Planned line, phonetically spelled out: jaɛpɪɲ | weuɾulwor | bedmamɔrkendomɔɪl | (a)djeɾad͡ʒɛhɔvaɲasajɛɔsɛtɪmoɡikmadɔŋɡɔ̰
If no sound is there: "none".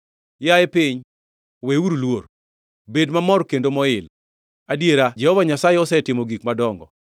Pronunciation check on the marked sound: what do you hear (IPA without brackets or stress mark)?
a